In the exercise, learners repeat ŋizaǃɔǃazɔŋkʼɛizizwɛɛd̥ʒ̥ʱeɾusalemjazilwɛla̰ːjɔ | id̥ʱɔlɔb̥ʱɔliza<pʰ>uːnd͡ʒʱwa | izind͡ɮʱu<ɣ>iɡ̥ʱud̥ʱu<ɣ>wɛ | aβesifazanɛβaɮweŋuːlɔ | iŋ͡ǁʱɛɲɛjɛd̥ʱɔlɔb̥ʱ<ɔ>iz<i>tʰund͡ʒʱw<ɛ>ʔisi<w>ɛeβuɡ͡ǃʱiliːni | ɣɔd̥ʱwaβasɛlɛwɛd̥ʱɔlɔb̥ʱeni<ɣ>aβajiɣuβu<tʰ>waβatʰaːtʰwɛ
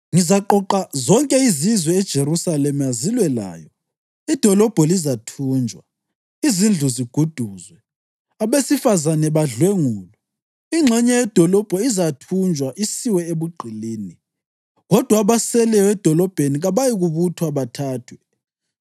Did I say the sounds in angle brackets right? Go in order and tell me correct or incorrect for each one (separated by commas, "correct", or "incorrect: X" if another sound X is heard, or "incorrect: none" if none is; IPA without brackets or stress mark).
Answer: incorrect: tʰ, incorrect: z, incorrect: z, correct, incorrect: a, incorrect: a, correct, correct, correct